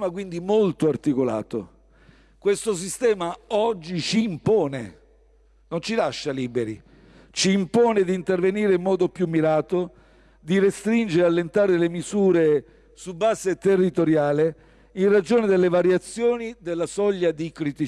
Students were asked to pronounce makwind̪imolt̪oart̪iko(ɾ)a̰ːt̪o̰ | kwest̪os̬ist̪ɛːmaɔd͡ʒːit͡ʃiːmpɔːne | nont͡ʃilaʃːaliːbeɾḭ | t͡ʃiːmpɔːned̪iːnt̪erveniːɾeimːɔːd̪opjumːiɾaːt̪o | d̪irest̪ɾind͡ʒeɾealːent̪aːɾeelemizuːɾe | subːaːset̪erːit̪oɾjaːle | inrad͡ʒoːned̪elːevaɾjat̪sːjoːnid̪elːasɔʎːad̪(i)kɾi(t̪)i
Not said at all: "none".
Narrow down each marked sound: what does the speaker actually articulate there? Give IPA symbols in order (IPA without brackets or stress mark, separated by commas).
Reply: l, i, t̪